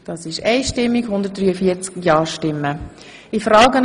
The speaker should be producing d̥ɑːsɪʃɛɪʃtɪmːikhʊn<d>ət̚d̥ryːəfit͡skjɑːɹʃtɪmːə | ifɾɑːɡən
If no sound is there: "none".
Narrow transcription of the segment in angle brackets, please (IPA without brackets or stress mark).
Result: d